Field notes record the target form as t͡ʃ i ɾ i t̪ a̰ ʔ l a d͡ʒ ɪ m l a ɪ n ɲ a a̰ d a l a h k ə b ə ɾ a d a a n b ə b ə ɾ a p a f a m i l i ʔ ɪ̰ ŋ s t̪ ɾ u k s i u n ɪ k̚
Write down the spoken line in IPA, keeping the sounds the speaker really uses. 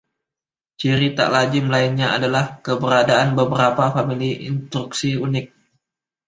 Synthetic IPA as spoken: t͡ʃ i ɾ i t̪ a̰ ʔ l a d͡ʒ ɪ m l a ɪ n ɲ a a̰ d a l a h k ə b ə ɾ a d a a n b ə b ə ɾ a p a f a m i l i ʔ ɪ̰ n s t̪ ɾ u k s i u n ɪ k̚